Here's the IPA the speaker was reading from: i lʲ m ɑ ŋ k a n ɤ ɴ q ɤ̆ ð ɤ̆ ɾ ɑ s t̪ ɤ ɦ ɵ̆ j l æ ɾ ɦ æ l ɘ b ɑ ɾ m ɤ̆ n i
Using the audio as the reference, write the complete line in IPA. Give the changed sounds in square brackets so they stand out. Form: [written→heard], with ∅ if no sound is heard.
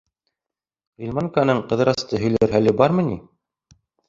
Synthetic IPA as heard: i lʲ m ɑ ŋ k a n ɤ ɴ q ɤ̆ ð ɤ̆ ɾ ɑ s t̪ ɤ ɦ ɵ̆ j l æ ɾ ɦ æ l ɘ b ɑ ɾ m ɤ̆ n i